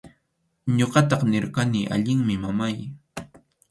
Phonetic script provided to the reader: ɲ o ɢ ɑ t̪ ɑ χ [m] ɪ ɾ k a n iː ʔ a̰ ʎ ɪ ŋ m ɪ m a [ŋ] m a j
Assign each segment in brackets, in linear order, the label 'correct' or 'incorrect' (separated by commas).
incorrect, incorrect